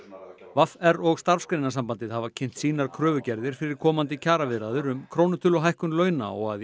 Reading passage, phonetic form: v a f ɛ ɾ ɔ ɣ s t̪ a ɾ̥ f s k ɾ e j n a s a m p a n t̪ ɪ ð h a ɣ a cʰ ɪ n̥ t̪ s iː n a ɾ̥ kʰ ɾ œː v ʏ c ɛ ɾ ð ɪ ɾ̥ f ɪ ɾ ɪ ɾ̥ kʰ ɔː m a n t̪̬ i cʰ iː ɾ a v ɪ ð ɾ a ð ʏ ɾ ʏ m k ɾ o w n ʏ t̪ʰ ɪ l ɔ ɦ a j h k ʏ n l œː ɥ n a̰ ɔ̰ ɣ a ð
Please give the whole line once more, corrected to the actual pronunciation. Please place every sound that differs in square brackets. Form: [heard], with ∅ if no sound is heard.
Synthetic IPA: v a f ɛ ɾ ɔ ɣ s t̪ a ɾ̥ f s k ɾ e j n a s a m p a n t̪ ɪ ð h a [v] a cʰ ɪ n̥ t̪ s iː n a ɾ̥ kʰ ɾ œː v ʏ c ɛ ɾ ð ɪ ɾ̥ f ɪ ɾ ɪ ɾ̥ kʰ ɔː m a n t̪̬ [ɪ] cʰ [aː] ɾ a v ɪ ð ɾ a ð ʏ ɾ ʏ m [kʰ] ɾ o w n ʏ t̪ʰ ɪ l ɔ ɦ a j h k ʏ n l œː ɥ n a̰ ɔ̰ ɣ a ð